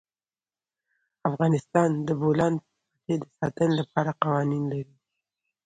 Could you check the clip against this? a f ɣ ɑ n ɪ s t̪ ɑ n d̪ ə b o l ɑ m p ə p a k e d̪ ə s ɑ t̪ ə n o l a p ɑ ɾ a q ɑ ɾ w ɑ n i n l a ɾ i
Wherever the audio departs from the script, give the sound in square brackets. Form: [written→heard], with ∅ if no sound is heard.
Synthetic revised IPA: a f ɣ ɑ n ɪ s t̪ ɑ n d̪ ə b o l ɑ [m→n] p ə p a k e d̪ ə s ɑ t̪ ə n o l a p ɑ ɾ a q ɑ [ɾ→∅] w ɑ n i n l a ɾ i